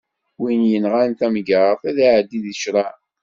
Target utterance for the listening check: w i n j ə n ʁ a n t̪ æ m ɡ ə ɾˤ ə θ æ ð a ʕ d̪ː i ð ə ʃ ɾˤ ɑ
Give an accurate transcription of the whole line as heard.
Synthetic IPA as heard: w i n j ə n ʁ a n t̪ æ m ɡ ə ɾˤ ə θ æ ð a ʕ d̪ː i ð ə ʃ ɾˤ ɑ